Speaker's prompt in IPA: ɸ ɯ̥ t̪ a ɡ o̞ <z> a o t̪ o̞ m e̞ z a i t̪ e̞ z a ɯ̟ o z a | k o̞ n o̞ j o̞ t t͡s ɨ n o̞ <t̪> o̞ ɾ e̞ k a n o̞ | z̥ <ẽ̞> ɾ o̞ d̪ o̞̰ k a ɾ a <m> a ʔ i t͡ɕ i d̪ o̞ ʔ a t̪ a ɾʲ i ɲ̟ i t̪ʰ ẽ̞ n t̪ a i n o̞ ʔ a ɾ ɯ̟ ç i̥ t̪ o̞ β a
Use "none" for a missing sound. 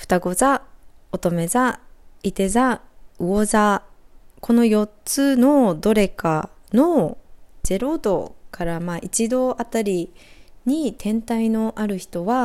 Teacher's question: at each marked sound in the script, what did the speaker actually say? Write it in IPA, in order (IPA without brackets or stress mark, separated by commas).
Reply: z, d̪, e̞, m